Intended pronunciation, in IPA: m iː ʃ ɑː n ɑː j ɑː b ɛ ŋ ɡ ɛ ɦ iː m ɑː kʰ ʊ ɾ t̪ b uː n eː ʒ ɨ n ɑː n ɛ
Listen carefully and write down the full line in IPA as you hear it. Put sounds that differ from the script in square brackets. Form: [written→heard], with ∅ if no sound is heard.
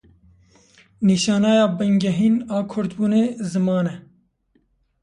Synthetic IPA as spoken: [m→n] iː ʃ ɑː n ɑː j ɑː b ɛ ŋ ɡ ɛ ɦ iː [m→n] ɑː kʰ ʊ ɾ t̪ b uː n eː [ʒ→z] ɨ [n→m] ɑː n ɛ